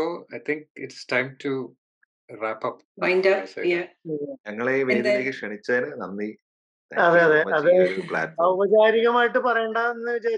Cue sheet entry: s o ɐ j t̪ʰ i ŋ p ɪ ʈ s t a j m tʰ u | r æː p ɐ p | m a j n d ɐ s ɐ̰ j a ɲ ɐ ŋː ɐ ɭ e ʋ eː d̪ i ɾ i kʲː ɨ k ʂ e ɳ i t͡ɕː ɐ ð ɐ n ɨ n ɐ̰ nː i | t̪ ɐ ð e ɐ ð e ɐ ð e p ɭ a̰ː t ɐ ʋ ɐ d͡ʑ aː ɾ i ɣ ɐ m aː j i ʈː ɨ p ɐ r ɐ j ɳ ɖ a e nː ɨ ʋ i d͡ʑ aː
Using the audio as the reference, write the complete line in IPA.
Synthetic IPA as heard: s o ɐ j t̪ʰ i ŋ k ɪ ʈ s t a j m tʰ u | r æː p ɐ p | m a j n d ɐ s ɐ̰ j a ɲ ɐ ŋː ɐ ɭ e ʋ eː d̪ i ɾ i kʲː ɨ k ʂ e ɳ i t͡ɕː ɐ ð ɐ n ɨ n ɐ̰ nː i | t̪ ɐ ð e ɐ ð e ɐ ð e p ɭ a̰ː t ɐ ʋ ɐ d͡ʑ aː ɾ i ɣ ɐ m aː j i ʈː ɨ p ɐ r ɐ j ɳ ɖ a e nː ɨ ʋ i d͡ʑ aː